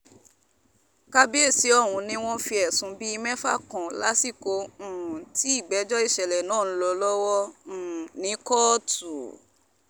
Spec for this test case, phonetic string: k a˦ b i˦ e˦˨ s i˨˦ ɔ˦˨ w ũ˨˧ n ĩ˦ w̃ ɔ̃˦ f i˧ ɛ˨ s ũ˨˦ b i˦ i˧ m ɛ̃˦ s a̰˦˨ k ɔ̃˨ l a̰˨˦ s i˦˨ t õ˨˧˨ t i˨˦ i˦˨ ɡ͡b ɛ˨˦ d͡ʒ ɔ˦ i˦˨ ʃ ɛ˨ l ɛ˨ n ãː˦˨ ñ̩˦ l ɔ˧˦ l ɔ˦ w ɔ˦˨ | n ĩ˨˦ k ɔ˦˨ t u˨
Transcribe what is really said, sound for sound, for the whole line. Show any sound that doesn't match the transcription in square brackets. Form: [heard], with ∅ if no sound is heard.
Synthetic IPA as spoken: k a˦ b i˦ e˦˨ s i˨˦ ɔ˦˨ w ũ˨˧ n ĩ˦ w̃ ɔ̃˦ f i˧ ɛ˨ s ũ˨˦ b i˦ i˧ m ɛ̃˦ [f] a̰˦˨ k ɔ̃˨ l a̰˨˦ s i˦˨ [k] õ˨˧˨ t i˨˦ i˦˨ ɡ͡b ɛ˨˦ d͡ʒ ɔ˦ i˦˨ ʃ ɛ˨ l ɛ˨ n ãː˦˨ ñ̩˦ l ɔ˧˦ l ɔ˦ w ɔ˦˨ | n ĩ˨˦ k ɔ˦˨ t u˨